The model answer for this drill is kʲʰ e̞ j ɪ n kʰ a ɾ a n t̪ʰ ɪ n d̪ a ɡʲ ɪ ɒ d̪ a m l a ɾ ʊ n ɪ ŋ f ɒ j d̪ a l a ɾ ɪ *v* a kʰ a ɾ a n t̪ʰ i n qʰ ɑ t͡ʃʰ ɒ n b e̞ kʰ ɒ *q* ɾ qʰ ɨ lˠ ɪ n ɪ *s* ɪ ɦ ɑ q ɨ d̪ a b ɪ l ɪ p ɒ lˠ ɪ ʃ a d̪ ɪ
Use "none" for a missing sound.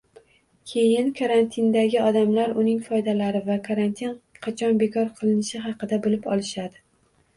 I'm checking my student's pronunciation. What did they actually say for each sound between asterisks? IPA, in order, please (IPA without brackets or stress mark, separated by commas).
v, none, ʃ